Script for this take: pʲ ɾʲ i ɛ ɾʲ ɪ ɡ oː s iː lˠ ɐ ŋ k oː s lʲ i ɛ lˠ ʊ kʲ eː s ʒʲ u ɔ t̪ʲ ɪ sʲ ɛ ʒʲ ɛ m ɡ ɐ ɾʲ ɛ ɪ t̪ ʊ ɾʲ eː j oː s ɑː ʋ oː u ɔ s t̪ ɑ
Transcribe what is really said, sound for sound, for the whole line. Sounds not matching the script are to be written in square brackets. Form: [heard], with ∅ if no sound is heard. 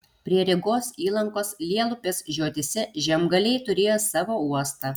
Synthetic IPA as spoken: pʲ ɾʲ i ɛ ɾʲ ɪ ɡ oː s iː lˠ ɐ ŋ k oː s lʲ i ɛ lˠ ʊ [pʲ] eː s ʒʲ u ɔ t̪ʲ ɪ sʲ ɛ ʒʲ ɛ m ɡ ɐ [lʲ] ɛ ɪ t̪ ʊ ɾʲ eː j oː s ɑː ʋ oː u ɔ s t̪ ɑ